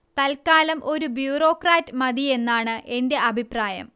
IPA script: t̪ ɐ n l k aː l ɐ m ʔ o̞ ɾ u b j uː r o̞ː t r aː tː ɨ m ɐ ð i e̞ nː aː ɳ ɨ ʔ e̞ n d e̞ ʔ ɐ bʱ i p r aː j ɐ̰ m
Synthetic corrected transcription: t̪ ɐ l k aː l ɐ m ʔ o̞ ɾ u b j uː r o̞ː k r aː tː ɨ m ɐ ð i e̞ nː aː ɳ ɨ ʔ e̞ n d e̞ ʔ ɐ bʱ i p r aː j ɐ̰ m

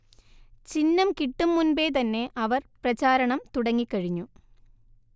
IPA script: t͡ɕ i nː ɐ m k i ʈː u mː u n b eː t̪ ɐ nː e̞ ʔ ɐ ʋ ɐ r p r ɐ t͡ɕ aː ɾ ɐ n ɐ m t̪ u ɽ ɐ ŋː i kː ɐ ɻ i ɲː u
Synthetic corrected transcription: t͡ɕ i nː ɐ m k i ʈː u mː u n b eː t̪ ɐ nː e̞ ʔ ɐ ʋ ɐ r p r ɐ t͡ɕ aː ɾ ɐ ɳ ɐ m t̪ u ɽ ɐ ŋː i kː ɐ ɻ i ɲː u

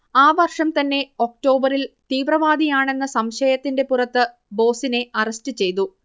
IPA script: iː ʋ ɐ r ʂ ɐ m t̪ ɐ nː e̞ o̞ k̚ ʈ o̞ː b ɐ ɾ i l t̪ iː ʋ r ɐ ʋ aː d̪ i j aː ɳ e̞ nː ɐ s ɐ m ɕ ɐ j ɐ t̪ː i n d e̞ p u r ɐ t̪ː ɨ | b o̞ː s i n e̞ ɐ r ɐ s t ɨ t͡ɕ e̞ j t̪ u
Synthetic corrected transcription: aː ʋ ɐ r ʂ ɐ m t̪ ɐ nː e̞ o̞ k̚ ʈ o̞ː b ɐ ɾ i l t̪ iː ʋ r ɐ ʋ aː d̪ i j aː ɳ e̞ nː ɐ s ɐ m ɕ ɐ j ɐ t̪ː i n d e̞ p u r ɐ t̪ː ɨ | b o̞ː s i n e̞ ɐ r ɐ s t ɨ t͡ɕ e̞ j t̪ u

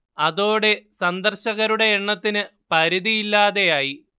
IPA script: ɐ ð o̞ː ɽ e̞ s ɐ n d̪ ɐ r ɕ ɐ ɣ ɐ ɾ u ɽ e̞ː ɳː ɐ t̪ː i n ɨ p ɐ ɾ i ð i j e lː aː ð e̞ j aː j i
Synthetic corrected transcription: ɐ ð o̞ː ɽ e̞ s ɐ n d̪ ɐ r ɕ ɐ ɣ ɐ ɾ u ɽ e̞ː ɳː ɐ t̪ː i n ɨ p ɐ ɾ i ð i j i lː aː ð e̞ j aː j i

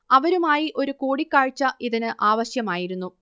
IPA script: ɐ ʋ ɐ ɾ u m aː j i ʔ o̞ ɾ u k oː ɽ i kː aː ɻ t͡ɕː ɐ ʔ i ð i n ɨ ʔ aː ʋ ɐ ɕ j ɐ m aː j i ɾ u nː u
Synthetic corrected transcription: ɐ ʋ ɐ ɾ u m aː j i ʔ o̞ ɾ u k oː ɽ i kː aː ɻ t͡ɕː ɐ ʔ i ð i n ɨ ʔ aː ʋ ɐ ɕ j ɐ m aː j i ɾ u nː u

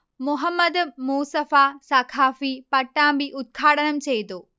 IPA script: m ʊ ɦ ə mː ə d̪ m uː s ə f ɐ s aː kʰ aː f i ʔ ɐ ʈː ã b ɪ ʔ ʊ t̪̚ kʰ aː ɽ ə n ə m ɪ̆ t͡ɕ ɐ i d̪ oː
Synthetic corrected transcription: m ʊ ɦ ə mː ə d̪ m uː s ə f a s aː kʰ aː f i p ɐ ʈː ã b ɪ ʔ ʊ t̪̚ kʰ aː ɽ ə n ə m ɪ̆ t͡ɕ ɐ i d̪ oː

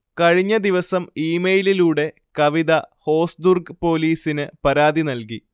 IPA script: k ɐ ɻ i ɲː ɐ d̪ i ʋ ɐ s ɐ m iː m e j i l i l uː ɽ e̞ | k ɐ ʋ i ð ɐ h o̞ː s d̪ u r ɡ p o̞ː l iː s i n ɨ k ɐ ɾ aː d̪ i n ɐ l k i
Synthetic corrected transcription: k ɐ ɻ i ɲː ɐ d̪ i ʋ ɐ s ɐ m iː m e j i l i l uː ɽ e̞ | k ɐ ʋ i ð ɐ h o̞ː s d̪ u r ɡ p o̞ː l iː s i n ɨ p ɐ ɾ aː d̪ i n ɐ l k i

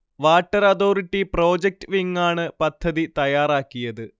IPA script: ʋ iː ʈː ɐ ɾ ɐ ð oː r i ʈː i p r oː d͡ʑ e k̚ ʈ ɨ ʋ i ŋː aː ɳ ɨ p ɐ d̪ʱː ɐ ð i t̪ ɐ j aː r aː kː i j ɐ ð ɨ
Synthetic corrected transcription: ʋ aː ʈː ɐ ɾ ɐ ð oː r i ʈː i p r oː d͡ʑ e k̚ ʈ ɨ ʋ i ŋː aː ɳ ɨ p ɐ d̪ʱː ɐ ð i t̪ ɐ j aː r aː kː i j ɐ ð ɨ

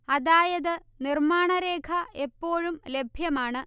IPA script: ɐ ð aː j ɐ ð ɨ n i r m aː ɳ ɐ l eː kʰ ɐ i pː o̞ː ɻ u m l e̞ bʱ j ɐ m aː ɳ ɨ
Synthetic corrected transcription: ɐ ð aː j ɐ ð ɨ n i r m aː ɳ ɐ ɾ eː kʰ ɐ e pː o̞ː ɻ u m l e̞ bʱ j ɐ m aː ɳ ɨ

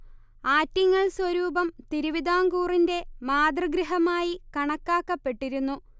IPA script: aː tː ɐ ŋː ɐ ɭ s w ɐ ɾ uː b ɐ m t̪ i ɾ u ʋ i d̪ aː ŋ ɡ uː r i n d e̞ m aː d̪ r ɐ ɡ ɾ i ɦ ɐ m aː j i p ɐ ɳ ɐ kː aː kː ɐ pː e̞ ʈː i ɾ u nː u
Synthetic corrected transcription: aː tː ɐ ŋː ɐ ɭ s w ɐ ɾ uː b ɐ m t̪ i ɾ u ʋ i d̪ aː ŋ ɡ uː r i n d e̞ m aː d̪ r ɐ ɡ ɾ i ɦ ɐ m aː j i k ɐ ɳ ɐ kː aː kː ɐ pː e̞ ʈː i ɾ u nː u

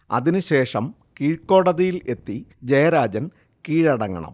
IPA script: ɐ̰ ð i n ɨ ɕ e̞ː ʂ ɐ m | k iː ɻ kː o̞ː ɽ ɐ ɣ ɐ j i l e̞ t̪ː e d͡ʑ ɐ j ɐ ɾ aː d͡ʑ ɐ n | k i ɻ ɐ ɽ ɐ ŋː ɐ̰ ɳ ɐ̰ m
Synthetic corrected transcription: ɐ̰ ð i n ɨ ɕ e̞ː ʂ ɐ m | k iː ɻ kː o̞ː ɽ ɐ ð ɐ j i l e̞ t̪ː i d͡ʑ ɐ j ɐ ɾ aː d͡ʑ ɐ n | k iː ɻ ɐ ɽ ɐ ŋː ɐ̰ ɳ ɐ̰ m

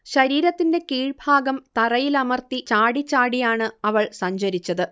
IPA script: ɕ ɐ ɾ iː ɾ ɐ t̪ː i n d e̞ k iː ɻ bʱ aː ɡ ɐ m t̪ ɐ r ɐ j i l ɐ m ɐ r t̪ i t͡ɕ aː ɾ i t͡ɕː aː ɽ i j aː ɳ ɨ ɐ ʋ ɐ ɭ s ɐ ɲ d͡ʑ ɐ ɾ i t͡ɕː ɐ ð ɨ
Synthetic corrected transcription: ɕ ɐ ɾ iː ɾ ɐ t̪ː i n d e̞ k iː ɻ bʱ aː ɡ ɐ m t̪ ɐ r ɐ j i l ɐ m ɐ r t̪ i t͡ɕ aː ɽ i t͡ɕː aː ɽ i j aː ɳ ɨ ɐ ʋ ɐ ɭ s ɐ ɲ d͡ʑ ɐ ɾ i t͡ɕː ɐ ð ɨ

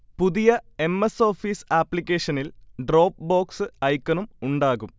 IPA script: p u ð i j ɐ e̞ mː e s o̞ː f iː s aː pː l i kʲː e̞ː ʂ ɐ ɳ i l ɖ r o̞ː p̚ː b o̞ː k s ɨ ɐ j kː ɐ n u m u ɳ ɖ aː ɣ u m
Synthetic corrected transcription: p u ð i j ɐ e̞ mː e s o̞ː f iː s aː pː l i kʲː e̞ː ʂ ɐ n i l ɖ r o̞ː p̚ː b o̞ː k s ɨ ɐ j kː ɐ n u m u ɳ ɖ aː ɣ u m

